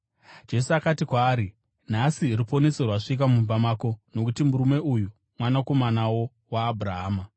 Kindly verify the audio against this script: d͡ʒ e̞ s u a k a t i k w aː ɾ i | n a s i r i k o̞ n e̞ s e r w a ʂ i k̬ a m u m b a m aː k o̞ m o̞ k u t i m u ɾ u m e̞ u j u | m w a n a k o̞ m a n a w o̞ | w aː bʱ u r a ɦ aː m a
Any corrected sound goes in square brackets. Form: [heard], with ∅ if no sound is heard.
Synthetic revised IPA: d͡ʒ e̞ s u a k a t i k w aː ɾ i | n a s i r i [p] o̞ n e̞ s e r w a ʂ i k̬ a m u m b a m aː k o̞ [n] o̞ k u t i m u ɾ u m e̞ u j u | m w a n a k o̞ m a n a w o̞ | w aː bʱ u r a ɦ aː m a